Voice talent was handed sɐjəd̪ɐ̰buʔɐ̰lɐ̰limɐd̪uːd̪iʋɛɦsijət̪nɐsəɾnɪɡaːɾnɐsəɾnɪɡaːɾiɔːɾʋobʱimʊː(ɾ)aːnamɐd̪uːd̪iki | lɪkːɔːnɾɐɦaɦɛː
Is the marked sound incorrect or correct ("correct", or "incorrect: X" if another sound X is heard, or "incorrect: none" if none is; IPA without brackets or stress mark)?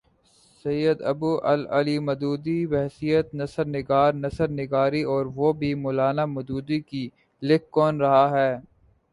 incorrect: l